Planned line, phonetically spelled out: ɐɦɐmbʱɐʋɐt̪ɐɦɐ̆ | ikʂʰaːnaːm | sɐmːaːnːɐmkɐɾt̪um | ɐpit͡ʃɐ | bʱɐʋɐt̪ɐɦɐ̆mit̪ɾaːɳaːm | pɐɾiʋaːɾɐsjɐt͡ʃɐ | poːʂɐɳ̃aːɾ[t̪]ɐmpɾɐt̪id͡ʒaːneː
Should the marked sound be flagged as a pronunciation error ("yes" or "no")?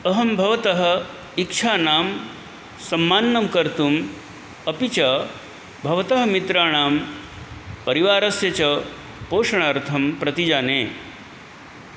yes